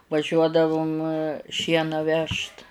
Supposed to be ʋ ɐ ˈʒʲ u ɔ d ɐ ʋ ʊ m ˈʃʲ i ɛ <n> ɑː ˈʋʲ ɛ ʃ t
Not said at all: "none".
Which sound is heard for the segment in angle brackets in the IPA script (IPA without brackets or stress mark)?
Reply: n